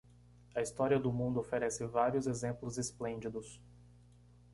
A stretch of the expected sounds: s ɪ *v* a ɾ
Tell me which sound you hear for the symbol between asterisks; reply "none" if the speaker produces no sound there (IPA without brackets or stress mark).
v